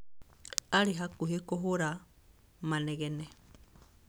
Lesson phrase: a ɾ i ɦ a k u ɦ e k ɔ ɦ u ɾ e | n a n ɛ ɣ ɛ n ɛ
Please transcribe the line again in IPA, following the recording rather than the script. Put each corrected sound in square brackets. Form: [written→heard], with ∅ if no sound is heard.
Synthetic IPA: a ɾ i ɦ a k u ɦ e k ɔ ɦ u ɾ [e→a] | [n→m] a n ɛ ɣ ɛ n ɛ